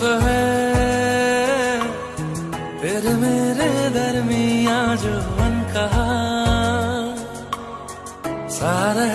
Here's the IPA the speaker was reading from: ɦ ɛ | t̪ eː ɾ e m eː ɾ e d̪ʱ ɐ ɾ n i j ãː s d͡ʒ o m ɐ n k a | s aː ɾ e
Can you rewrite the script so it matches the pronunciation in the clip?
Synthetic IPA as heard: ɦ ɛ | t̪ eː ɾ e m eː ɾ e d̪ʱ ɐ ɾ m i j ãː d͡ʒ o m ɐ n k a | s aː ɾ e